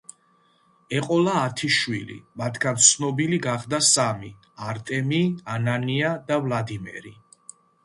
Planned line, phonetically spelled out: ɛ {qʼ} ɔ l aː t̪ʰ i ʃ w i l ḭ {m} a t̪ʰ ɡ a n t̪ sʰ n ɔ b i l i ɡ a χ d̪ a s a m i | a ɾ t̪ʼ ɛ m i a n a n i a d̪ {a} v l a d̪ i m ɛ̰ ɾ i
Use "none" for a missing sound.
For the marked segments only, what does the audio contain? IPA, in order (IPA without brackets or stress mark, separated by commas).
qʼ, m, a